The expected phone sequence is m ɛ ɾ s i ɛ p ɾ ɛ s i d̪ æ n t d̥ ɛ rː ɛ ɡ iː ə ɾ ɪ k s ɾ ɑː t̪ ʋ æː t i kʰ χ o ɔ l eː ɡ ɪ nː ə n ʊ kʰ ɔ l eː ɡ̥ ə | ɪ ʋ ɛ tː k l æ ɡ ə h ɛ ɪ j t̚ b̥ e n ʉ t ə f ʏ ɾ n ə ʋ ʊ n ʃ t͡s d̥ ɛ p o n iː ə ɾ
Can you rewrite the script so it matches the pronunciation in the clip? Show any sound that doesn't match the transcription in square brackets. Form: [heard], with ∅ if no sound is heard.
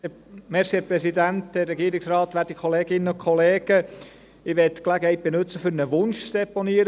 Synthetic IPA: m ɛ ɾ s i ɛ p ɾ ɛ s i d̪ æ n t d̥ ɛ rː ɛ ɡ [i] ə ɾ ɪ k s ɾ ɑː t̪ ʋ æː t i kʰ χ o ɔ l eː ɡ ɪ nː ə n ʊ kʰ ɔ l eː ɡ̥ ə | ɪ ʋ ɛ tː k l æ ɡ ə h ɛ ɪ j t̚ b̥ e n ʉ [t͡s] ə f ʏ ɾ n ə ʋ ʊ n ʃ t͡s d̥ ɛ p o n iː ə ɾ

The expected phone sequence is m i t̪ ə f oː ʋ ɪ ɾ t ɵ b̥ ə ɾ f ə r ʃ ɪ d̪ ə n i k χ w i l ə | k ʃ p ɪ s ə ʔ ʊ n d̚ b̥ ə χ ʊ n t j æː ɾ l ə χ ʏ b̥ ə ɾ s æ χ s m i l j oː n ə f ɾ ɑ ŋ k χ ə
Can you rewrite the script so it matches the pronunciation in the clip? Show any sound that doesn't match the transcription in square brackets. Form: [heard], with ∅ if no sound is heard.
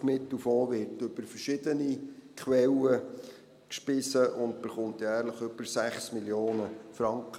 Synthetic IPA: m [ɪ] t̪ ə f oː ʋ ɪ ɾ t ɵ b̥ ə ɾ f ə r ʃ ɪ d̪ ə n i k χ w [ɛ] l ə | k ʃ p ɪ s ə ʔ ʊ n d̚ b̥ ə χ ʊ n t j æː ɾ l ə χ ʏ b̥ ə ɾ s æ χ s m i l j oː n ə f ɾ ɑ ŋ k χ ə

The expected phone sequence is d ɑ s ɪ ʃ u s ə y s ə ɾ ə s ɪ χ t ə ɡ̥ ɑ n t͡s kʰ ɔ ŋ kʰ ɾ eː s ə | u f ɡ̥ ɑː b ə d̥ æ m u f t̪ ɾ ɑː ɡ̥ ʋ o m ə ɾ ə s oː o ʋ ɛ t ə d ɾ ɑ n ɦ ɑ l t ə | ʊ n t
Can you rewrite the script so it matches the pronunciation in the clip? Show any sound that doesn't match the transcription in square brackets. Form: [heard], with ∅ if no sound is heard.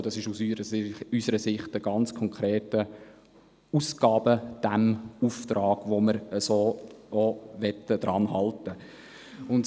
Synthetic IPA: d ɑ s ɪ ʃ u s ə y s ə ɾ ə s ɪ χ t ə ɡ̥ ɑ n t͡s kʰ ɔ ŋ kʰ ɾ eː [t] ə | u [s] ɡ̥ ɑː b ə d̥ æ m u f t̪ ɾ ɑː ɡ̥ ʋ o m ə ɾ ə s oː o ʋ ɛ t ə d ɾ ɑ n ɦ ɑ l t ə | ʊ n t

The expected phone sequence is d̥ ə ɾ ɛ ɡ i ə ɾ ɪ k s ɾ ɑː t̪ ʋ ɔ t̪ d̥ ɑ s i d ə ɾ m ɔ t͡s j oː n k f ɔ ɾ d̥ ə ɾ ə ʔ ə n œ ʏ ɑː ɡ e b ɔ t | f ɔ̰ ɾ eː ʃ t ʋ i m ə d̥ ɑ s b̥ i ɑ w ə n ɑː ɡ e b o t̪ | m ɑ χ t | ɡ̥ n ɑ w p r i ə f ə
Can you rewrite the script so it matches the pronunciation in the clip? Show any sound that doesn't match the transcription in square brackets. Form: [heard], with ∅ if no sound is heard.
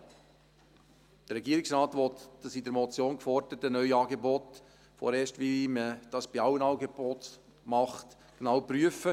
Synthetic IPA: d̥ ə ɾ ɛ ɡ i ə ɾ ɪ k s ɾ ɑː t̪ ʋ ɔ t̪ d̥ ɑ s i d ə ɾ m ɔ t͡s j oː n k f ɔ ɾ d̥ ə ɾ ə [t] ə n œ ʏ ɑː ɡ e b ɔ t | f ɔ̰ ɾ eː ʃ t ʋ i m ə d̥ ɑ s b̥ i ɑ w ə n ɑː ɡ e b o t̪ | m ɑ χ t | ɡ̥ n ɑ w p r [y] ə f ə

